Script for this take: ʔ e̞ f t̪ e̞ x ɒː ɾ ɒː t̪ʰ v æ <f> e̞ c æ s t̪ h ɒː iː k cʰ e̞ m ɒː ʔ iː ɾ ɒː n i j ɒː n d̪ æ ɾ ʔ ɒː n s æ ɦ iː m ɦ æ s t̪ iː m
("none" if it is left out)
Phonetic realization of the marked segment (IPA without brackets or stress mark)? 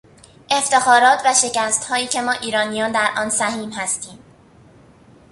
ʃ